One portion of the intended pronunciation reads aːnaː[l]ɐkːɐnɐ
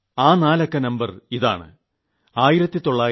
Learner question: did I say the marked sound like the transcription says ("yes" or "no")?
yes